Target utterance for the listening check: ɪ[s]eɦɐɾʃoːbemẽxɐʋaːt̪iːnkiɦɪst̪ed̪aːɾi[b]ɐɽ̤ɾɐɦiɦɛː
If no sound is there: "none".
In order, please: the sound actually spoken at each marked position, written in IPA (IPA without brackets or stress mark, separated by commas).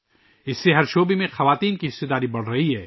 sː, b